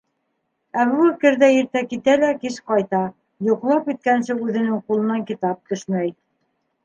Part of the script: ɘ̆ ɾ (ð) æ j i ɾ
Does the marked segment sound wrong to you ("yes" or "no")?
no